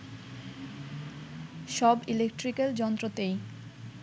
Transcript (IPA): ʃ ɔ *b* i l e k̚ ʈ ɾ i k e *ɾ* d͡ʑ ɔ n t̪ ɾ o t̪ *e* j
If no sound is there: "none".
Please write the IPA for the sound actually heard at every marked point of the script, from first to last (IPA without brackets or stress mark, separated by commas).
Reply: b, l, e